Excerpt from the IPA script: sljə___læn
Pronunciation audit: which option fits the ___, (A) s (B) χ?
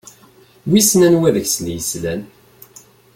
A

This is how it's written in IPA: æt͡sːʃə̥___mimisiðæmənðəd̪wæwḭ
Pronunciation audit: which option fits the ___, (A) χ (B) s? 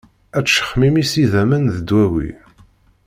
A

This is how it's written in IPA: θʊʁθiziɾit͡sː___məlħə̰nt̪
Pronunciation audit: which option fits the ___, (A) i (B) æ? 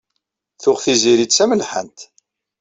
B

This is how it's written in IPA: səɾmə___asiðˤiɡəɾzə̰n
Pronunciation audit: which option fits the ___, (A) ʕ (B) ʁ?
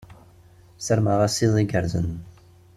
B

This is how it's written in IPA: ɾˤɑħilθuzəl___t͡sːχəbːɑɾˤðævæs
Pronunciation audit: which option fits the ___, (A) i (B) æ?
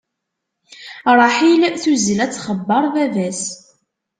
B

